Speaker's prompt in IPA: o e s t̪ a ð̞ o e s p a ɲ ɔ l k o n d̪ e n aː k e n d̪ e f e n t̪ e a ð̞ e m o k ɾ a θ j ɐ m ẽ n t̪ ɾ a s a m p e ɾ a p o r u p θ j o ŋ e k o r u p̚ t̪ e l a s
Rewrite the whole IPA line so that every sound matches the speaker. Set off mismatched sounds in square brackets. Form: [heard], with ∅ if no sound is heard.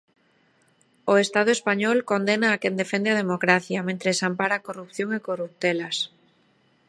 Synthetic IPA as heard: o e s t̪ a ð̞ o e s p a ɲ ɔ l k o n d̪ e n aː k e n d̪ e f e n [d̪] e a ð̞ e m o k ɾ a θ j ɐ m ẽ n t̪ ɾ [e] s a m p [a] ɾ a [k] o r u p θ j o ŋ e k o r u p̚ t̪ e l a s